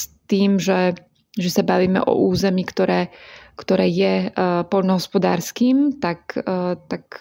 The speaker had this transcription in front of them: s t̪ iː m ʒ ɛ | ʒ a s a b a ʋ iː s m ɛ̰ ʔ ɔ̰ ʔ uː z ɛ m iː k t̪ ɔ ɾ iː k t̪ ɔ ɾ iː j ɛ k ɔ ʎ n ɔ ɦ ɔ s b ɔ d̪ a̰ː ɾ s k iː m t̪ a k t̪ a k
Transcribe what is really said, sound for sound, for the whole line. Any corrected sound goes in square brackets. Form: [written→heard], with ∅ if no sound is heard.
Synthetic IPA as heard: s t̪ iː m ʒ ɛ | ʒ [a→ɛ] s a b a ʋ iː [s→∅] m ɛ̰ ʔ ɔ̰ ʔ uː z ɛ m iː k t̪ ɔ ɾ [iː→ɛː] k t̪ ɔ ɾ [iː→ɛː] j ɛ [k→p] ɔ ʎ n ɔ ɦ ɔ s [b→p] ɔ d̪ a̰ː ɾ s k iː m t̪ a k t̪ a k